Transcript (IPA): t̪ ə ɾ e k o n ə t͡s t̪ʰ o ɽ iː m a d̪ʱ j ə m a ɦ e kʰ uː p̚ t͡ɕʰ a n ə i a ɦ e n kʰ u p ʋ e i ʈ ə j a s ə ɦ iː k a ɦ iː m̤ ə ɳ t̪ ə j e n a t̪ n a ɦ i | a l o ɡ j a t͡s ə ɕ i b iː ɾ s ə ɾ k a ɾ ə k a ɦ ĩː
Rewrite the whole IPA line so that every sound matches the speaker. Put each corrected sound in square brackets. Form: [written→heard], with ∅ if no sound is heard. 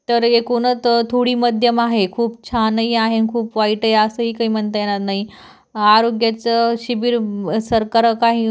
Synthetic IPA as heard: t̪ ə ɾ e k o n ə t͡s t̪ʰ o ɽ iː m [a→ə] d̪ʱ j ə m a ɦ e kʰ uː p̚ t͡ɕʰ a n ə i a ɦ e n kʰ [u→uː] p ʋ [e→a] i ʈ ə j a s ə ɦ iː k a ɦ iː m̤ ə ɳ t̪ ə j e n a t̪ n a ɦ i | a [l→ɾ] o ɡ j a t͡s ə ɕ i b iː ɾ s ə ɾ k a ɾ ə k a ɦ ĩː